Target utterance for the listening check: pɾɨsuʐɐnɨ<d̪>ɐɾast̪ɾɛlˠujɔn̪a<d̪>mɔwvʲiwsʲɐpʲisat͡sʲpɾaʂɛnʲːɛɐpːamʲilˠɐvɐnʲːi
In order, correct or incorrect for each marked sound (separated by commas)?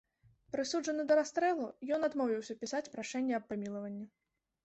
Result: correct, correct